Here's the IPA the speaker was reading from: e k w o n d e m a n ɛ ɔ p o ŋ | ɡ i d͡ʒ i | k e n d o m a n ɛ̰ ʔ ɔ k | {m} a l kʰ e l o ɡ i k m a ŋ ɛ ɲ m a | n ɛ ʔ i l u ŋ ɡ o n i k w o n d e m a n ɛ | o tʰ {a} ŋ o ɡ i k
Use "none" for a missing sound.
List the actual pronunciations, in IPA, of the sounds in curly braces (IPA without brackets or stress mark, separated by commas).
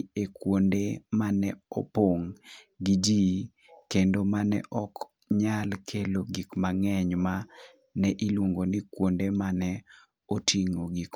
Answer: ɲ, i